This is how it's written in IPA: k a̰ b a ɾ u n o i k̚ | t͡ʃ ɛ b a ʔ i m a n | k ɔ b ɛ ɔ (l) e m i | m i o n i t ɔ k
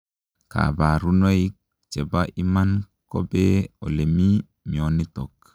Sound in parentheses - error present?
no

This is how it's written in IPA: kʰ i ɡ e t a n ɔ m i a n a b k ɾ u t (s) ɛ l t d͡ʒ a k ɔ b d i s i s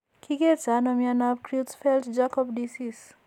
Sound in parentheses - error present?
yes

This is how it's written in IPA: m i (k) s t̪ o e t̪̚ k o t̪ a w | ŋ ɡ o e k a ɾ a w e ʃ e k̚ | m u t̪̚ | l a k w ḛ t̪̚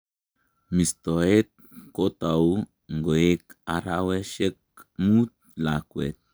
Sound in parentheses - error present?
yes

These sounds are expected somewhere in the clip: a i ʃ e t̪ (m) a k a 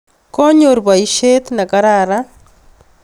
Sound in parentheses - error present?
yes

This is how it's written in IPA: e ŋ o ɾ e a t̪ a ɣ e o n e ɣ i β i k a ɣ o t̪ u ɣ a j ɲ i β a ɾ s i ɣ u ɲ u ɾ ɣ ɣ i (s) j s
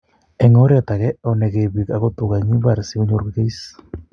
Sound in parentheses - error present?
yes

